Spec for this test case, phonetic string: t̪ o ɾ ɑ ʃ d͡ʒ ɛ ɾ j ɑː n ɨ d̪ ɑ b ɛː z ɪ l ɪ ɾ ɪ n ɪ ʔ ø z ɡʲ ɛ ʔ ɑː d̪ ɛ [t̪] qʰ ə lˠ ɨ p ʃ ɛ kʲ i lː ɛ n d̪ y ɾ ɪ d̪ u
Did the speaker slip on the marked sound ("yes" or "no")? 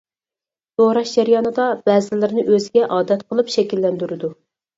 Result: no